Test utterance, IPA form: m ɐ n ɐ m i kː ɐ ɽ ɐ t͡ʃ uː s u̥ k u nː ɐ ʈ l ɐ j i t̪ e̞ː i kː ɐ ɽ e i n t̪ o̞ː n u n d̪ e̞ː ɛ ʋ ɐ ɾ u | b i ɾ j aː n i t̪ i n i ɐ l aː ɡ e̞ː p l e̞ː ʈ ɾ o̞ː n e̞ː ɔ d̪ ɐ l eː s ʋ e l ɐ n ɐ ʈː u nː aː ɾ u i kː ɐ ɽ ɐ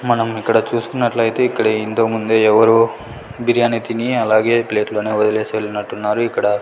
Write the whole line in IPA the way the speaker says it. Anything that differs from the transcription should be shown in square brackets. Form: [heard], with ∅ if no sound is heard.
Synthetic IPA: m ɐ n ɐ m i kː ɐ ɽ ɐ t͡ʃ uː s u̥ k u nː ɐ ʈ l ɐ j i t̪ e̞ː i kː ɐ ɽ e i n t̪ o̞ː [m] u n d̪ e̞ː ɛ ʋ ɐ ɾ u | b i ɾ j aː n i t̪ i n i ɐ l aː ɡ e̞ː p l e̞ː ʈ [l] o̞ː n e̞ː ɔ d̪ ɐ l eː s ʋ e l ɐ n ɐ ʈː u nː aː ɾ u i kː ɐ ɽ ɐ